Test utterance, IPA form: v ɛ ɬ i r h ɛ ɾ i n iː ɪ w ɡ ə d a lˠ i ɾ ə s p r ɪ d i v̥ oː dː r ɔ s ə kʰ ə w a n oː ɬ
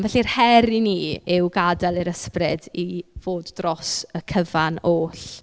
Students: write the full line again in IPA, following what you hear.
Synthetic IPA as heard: v ɛ ɬ i r h ɛ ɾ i n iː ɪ w ɡ a d a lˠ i ɾ ə s p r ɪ d i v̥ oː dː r ɔ s ə kʰ ə v a n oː ɬ

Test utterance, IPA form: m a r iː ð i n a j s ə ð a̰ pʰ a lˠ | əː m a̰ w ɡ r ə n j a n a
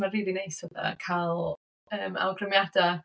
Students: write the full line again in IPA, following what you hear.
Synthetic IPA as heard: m a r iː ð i n e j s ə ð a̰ kʰ a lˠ | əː m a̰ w ɡ r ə m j a d a

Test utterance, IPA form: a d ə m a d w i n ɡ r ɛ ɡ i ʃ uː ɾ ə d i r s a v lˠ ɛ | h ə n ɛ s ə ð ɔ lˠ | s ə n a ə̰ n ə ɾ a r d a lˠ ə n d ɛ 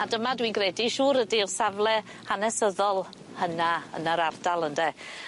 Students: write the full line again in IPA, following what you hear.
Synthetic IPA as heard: a d ə m a d w i n ɡ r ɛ d i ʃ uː ɾ ə d i r s a v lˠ ɛ | h a n ɛ s ə ð ɔ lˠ | h ə n a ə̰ n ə ɾ a r d a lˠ ə n d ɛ

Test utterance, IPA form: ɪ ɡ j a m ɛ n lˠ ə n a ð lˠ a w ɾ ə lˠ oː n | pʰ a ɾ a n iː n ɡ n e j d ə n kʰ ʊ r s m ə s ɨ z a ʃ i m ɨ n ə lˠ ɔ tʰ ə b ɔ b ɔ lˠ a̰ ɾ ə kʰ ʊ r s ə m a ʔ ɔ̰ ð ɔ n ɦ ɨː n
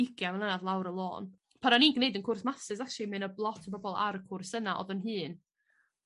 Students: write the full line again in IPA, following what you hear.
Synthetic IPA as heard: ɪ ɡ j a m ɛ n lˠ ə n a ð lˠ a w ɾ ə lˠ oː n | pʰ a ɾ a n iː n ɡ n e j d ə n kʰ ʊ r s m a s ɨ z a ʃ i m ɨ n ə lˠ ɔ tʰ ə b ɔ b ɔ lˠ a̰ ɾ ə kʰ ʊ r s ə n a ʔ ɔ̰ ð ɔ n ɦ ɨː n

